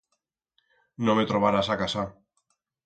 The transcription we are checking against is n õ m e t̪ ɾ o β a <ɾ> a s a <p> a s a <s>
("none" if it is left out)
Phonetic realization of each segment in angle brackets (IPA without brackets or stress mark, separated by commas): ɾ, k, none